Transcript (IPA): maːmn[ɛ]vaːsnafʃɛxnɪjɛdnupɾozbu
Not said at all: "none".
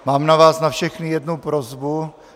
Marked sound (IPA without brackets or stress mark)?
a